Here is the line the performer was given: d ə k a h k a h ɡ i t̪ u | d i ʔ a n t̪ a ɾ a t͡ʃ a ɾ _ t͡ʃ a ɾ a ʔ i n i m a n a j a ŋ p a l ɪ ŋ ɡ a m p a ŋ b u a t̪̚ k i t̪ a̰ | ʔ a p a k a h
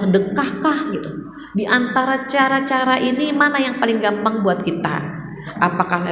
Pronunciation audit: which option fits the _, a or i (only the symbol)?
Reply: a